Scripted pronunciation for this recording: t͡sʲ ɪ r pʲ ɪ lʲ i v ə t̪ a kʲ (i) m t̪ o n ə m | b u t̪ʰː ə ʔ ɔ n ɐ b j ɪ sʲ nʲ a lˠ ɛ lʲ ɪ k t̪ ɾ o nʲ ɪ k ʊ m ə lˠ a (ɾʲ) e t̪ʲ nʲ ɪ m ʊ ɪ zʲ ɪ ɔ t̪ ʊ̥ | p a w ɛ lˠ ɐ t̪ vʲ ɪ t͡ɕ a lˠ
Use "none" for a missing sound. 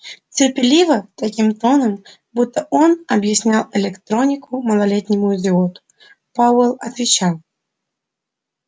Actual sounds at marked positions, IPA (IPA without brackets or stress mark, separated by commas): i, lʲ